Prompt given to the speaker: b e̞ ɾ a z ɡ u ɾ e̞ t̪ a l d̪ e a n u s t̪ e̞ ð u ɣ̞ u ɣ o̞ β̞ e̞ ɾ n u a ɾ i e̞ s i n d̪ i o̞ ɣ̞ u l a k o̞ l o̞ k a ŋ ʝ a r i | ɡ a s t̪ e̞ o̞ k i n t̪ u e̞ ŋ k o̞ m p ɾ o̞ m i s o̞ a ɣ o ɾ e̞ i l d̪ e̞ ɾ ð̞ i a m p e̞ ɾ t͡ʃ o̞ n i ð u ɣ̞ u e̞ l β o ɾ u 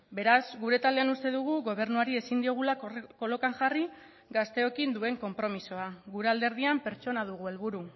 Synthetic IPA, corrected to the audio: b e̞ ɾ a z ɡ u ɾ e̞ t̪ a l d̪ e a n u s t̪ e̞ ð u ɣ̞ u ɣ o̞ β̞ e̞ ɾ n u a ɾ i e̞ s i n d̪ i o̞ ɣ̞ u l a k o̞ l o̞ k a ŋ ʝ a r i | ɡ a s t̪ e̞ o̞ k i n d̪ u e̞ ŋ k o̞ m p ɾ o̞ m i s o̞ a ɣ u ɾ e̞ a l d̪ e̞ ɾ ð̞ i a m p e̞ ɾ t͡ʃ o̞ n a ð u ɣ̞ u e̞ l β u ɾ u